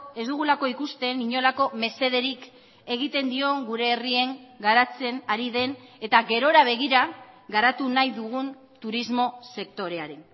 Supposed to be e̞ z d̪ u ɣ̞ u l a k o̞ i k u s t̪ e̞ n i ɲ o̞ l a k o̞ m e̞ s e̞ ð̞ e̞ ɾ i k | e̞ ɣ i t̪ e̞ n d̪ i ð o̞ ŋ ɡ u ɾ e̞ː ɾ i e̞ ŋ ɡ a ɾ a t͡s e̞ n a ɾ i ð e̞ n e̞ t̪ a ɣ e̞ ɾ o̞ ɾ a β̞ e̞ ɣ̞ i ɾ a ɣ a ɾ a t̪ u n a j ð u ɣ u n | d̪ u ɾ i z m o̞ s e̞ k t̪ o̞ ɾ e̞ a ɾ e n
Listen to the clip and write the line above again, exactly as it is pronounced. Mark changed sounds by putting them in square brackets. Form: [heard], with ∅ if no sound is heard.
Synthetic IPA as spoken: e̞ z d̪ u ɣ̞ u l a k o̞ i k u s t̪ e̞ n i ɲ o̞ l a k o̞ m e̞ s e̞ ð̞ e̞ ɾ i k | e̞ ɣ i t̪ e̞ n d̪ i [∅] o̞ ŋ ɡ u ɾ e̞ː [r] i e̞ ŋ ɡ a ɾ a t͡s e̞ n a ɾ i ð e̞ n e̞ t̪ a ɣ e̞ ɾ o̞ ɾ a β̞ e̞ ɣ̞ i ɾ a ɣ a ɾ a t̪ u n a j ð u ɣ u n | [t̪] u ɾ i z m o̞ s e̞ k t̪ o̞ ɾ e̞ a ɾ e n